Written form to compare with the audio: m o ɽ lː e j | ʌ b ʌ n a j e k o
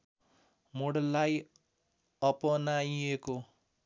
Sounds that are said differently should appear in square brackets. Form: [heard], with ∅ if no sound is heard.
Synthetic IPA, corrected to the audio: m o ɽ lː [a] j | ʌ [p] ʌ n a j e k o